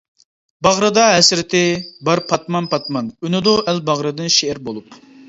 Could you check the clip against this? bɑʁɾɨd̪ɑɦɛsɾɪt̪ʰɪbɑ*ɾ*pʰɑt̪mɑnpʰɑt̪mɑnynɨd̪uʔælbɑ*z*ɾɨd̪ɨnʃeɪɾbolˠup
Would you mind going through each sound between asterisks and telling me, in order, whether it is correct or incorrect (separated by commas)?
correct, incorrect